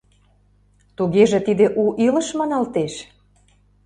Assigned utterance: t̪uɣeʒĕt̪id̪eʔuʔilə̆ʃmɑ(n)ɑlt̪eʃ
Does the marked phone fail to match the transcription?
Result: no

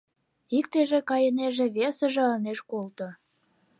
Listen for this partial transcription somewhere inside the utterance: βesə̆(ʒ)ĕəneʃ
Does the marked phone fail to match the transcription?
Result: no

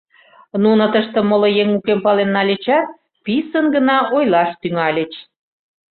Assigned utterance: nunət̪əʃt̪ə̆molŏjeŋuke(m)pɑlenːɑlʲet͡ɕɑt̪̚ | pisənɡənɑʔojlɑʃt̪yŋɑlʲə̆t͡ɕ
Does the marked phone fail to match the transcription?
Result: no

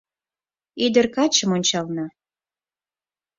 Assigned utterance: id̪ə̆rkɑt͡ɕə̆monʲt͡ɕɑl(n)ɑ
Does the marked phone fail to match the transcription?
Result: no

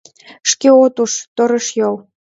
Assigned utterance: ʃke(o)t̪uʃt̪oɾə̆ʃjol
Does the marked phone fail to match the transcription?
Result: no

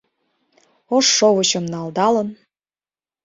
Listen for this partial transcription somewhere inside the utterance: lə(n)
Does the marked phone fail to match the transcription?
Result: no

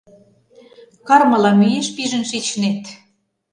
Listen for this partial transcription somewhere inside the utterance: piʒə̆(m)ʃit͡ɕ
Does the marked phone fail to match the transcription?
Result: yes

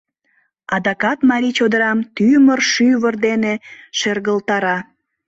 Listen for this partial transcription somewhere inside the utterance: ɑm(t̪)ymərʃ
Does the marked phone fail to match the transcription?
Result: no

